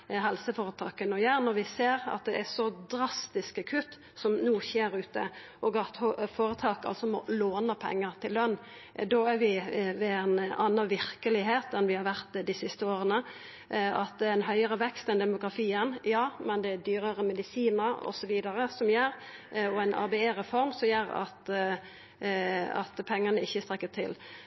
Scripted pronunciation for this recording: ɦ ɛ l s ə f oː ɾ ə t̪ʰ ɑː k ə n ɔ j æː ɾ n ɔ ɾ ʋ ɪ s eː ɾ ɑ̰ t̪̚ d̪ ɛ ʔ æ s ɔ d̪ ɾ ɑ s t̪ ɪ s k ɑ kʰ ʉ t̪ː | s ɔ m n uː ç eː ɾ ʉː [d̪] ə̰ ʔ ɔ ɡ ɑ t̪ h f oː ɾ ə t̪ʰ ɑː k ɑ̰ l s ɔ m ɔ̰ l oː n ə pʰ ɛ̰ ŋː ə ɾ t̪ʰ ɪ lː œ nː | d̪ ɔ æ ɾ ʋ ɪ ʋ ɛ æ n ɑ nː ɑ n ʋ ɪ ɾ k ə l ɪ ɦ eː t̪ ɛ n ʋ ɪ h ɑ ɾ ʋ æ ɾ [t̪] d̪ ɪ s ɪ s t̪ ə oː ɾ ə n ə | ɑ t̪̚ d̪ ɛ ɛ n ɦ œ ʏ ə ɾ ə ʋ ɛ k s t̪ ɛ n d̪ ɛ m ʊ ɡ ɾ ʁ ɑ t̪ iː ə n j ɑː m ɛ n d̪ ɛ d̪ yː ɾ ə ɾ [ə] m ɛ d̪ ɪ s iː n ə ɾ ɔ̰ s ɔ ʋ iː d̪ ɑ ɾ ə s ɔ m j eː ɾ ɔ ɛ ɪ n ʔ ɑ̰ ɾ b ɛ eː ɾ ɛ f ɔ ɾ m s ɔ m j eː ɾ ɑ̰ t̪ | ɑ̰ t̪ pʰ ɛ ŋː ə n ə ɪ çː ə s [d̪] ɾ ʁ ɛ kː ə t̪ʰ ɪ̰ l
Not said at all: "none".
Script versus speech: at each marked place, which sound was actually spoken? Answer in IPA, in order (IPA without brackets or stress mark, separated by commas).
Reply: t̪, t̪, ə, t̪